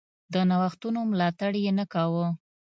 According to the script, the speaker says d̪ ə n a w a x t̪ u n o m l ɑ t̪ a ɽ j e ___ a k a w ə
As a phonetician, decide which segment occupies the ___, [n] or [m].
n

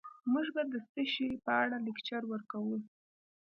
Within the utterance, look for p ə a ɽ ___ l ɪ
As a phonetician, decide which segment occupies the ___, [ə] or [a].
a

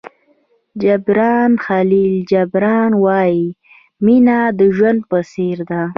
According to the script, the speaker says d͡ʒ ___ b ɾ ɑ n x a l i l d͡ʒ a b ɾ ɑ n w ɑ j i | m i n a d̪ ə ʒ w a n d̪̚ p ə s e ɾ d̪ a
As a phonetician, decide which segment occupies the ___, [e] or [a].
a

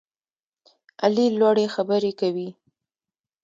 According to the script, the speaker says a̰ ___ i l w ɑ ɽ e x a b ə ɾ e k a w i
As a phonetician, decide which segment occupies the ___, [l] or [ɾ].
l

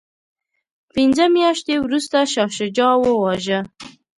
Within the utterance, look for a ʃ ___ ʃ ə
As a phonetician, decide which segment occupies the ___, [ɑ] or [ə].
ɑ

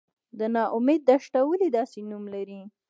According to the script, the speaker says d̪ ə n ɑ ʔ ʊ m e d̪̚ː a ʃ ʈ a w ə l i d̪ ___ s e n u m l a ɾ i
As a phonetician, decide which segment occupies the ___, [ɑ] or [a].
ɑ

